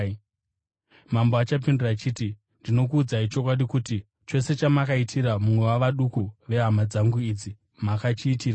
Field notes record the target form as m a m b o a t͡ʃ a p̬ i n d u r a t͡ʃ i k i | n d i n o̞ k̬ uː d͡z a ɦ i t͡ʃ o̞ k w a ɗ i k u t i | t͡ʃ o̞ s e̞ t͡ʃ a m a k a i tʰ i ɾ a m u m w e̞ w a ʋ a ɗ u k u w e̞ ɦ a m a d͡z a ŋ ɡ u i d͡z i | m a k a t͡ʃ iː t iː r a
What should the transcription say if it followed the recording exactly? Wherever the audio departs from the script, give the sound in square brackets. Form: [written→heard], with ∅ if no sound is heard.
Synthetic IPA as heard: m a m b o a t͡ʃ a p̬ i n d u r a t͡ʃ i [k→t] i | n d i n o̞ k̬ uː d͡z a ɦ i t͡ʃ o̞ k w a ɗ i k u t i | t͡ʃ o̞ s e̞ t͡ʃ a m a k a i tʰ i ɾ a m u m w e̞ w a ʋ a ɗ u k u [w→ʋ] e̞ ɦ a m a d͡z a ŋ ɡ u i d͡z i | m a k a t͡ʃ iː t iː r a